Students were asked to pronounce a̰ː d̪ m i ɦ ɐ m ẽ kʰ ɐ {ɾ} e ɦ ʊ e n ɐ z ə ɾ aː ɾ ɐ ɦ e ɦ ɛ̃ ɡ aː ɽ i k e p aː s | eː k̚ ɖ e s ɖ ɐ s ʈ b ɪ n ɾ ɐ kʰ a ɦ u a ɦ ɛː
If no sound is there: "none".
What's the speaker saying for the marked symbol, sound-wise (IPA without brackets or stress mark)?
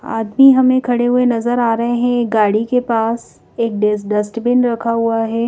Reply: ɽ